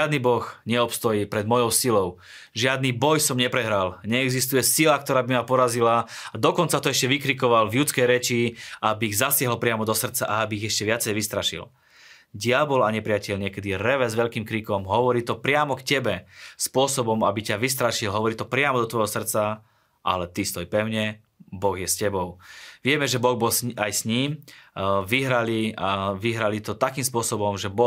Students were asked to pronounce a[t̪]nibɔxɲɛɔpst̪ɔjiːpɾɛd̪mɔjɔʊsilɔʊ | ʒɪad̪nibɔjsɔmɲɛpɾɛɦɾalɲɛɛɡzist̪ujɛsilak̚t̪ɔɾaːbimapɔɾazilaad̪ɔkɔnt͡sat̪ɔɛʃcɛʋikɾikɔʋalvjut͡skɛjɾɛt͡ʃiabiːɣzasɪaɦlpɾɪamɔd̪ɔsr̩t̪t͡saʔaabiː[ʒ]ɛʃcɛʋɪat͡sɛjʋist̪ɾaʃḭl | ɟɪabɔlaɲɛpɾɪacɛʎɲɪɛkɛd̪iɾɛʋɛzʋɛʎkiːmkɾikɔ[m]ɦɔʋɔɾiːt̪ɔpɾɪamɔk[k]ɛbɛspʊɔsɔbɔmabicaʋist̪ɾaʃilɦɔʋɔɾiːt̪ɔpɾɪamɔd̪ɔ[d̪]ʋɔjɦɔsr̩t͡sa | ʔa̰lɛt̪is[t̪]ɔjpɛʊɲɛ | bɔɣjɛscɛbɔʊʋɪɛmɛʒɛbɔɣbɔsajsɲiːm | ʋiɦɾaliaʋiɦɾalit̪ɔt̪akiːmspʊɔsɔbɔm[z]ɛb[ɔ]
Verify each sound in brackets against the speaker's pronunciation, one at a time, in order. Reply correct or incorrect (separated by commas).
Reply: incorrect, incorrect, correct, incorrect, incorrect, correct, incorrect, correct